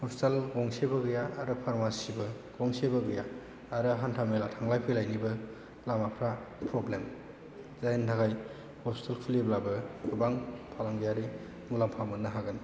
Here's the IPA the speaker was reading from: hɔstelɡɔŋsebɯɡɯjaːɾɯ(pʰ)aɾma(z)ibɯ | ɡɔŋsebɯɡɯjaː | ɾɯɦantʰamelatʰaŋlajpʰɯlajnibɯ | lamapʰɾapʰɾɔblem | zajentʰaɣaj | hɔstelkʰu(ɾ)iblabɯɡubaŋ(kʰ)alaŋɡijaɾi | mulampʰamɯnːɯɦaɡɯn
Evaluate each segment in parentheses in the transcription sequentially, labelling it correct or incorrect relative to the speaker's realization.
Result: correct, incorrect, incorrect, incorrect

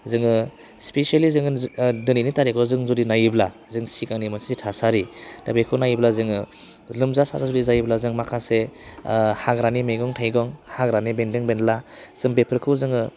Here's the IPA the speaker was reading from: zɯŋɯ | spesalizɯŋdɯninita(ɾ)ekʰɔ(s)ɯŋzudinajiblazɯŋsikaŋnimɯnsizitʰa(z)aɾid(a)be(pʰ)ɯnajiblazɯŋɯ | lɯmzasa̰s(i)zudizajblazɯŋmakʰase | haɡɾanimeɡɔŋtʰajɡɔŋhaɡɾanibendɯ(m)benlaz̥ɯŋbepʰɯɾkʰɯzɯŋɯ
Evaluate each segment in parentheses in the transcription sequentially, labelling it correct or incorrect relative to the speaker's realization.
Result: correct, incorrect, incorrect, correct, incorrect, incorrect, incorrect

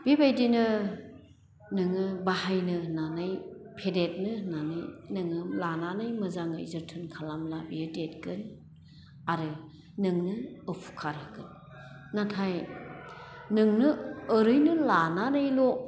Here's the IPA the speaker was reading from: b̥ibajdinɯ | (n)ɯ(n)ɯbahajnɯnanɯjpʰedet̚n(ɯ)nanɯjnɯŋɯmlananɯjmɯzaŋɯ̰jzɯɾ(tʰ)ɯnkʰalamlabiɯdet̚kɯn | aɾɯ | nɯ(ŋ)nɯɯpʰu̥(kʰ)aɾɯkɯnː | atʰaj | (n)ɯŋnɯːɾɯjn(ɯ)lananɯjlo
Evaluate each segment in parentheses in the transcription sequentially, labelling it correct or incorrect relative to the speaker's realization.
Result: correct, incorrect, correct, correct, correct, correct, correct, correct

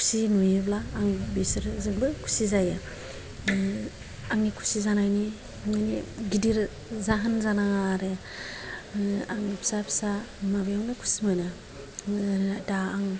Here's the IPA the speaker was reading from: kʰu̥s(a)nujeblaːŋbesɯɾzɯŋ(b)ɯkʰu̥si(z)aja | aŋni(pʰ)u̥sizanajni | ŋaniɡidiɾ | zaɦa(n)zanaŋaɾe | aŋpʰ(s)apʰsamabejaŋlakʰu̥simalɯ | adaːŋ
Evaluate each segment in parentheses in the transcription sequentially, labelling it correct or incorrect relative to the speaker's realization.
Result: incorrect, correct, correct, incorrect, correct, correct

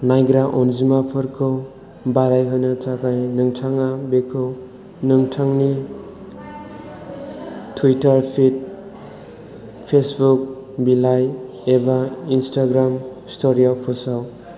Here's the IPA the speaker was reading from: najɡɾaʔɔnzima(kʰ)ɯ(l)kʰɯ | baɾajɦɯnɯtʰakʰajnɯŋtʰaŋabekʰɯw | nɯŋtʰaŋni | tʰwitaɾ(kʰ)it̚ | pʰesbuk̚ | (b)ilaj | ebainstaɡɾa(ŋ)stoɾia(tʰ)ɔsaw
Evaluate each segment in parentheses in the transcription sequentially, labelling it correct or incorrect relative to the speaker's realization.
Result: incorrect, incorrect, incorrect, correct, incorrect, incorrect

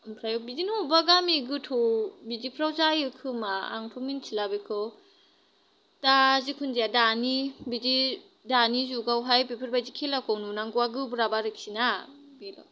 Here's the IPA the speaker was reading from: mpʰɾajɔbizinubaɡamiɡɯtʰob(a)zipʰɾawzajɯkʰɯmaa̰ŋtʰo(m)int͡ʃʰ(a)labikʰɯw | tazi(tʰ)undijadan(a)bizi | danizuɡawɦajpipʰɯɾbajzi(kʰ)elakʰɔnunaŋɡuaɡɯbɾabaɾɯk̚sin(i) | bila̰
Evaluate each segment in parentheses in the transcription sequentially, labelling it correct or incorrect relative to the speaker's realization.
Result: incorrect, correct, incorrect, incorrect, incorrect, correct, incorrect

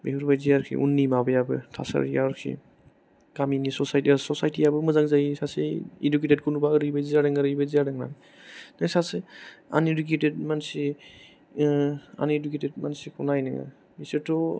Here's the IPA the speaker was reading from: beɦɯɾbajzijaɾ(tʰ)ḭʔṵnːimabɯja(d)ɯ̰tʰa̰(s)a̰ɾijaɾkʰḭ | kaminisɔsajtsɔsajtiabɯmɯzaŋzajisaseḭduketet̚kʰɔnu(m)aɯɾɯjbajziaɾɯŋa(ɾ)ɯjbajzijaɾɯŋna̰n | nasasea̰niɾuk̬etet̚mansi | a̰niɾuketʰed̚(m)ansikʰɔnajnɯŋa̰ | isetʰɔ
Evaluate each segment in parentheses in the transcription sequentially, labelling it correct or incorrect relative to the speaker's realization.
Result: incorrect, incorrect, correct, incorrect, correct, correct

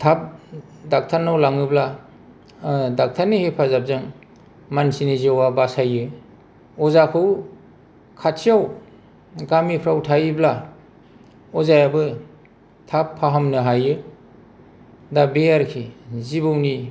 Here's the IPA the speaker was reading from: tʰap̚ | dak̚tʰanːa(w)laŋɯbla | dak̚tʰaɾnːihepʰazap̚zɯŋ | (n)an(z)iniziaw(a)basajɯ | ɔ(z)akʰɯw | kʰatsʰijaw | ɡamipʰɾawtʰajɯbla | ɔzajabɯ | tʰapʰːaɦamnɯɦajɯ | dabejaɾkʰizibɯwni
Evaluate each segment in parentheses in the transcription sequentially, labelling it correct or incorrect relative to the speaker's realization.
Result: correct, incorrect, incorrect, correct, correct

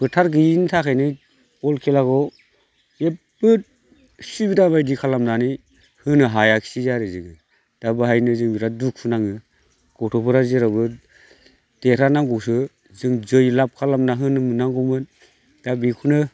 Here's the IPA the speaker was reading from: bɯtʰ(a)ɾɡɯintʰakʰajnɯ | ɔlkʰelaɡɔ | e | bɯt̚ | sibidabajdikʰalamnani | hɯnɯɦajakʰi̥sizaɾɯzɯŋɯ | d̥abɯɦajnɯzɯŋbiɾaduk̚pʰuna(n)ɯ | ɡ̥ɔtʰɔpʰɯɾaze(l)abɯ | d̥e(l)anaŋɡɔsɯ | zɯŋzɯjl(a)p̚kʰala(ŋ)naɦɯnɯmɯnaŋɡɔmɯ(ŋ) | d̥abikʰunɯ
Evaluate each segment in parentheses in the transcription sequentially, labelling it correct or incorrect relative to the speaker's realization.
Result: correct, incorrect, incorrect, incorrect, correct, incorrect, incorrect

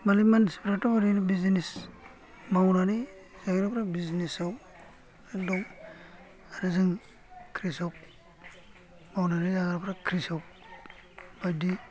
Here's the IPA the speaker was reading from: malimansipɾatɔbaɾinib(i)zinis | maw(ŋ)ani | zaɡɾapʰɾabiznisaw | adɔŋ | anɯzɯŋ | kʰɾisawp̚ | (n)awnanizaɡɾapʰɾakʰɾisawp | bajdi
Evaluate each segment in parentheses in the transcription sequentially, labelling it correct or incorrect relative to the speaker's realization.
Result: correct, incorrect, incorrect

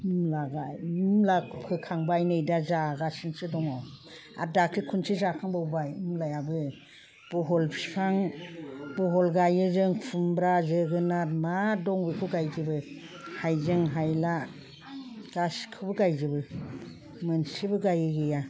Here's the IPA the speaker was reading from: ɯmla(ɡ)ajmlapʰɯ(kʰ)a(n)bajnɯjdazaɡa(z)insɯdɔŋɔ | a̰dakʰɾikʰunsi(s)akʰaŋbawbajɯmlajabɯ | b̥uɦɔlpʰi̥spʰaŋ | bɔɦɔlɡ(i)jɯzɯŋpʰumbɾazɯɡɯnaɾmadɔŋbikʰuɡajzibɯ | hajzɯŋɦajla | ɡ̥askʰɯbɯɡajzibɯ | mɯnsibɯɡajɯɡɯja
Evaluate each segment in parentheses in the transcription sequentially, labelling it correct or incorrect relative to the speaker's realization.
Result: correct, correct, incorrect, incorrect, incorrect, incorrect

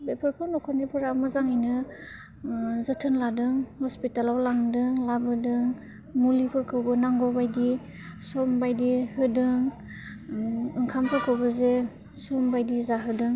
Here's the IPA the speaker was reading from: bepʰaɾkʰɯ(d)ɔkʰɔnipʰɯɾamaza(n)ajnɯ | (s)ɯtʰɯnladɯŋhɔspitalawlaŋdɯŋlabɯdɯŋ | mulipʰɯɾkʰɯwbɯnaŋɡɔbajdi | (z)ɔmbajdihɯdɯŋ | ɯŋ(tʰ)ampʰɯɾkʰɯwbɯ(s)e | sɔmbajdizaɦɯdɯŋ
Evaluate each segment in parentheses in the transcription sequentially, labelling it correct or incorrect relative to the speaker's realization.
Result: incorrect, incorrect, incorrect, incorrect, incorrect, incorrect

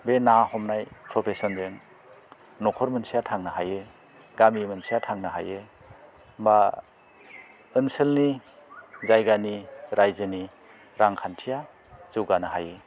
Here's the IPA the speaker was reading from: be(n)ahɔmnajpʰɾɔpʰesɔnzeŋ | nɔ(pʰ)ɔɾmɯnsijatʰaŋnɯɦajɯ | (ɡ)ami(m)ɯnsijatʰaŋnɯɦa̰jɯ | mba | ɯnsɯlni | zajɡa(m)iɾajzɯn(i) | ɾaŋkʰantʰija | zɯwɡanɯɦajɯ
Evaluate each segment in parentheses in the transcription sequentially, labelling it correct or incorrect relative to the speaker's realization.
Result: correct, incorrect, correct, correct, incorrect, correct

